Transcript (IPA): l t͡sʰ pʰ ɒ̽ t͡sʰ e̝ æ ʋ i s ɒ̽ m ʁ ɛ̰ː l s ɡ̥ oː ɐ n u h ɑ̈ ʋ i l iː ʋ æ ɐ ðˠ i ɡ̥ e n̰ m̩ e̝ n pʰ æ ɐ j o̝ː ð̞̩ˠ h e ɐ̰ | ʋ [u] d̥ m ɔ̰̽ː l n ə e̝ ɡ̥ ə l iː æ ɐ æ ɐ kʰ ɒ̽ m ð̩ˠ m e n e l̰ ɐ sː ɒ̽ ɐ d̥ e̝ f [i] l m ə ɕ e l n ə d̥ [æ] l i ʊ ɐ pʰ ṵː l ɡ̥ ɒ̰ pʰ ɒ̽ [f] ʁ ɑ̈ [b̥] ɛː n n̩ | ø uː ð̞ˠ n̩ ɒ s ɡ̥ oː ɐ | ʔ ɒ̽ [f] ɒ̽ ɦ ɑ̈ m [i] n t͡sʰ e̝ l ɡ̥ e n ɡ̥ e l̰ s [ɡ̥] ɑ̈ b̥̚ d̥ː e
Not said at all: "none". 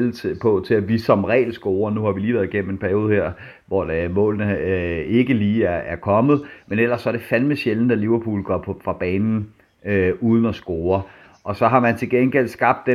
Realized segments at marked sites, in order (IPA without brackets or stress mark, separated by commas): ɒ, æ, æ, f, b̥, s, æ, ɡ̥